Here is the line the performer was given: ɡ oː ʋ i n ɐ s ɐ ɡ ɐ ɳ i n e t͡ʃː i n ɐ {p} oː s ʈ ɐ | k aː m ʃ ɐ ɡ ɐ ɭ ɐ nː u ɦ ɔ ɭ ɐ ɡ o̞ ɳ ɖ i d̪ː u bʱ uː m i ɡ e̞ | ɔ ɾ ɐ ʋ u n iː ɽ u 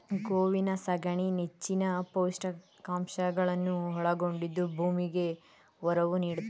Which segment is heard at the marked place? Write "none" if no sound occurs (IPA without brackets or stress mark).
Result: p